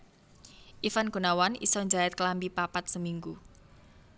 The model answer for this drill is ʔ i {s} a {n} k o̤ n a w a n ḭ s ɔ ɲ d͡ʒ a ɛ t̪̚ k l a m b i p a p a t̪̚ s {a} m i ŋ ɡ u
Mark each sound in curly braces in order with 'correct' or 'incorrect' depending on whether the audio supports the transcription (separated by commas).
incorrect, correct, incorrect